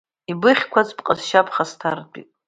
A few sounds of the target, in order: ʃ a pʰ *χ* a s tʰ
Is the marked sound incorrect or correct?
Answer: correct